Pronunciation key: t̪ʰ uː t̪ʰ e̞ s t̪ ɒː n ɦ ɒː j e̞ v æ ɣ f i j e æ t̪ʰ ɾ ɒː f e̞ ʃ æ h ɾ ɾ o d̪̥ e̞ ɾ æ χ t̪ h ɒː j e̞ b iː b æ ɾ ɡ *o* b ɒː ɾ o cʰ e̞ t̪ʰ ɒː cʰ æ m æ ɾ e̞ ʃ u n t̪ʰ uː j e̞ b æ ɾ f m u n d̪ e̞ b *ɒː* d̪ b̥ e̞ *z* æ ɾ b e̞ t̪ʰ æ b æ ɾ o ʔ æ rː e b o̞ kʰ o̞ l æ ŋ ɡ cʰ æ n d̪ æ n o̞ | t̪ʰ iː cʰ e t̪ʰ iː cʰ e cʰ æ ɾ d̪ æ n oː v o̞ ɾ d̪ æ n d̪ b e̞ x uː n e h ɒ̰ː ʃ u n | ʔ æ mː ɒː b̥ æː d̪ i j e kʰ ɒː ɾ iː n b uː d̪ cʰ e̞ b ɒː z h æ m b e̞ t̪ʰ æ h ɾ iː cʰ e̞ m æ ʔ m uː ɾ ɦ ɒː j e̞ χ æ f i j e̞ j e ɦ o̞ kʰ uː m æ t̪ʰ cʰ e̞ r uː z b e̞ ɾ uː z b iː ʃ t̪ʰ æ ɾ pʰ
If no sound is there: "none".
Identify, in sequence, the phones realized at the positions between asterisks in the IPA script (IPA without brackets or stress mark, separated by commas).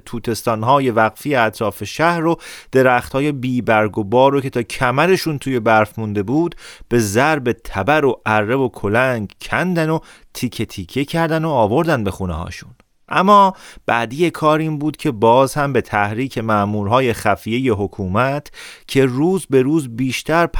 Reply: o, uː, z